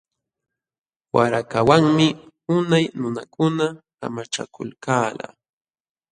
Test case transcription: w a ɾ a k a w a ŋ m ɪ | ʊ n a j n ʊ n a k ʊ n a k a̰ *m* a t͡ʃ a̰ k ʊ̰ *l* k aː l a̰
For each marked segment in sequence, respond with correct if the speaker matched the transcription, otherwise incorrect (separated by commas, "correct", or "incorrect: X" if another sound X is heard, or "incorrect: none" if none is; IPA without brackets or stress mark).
correct, correct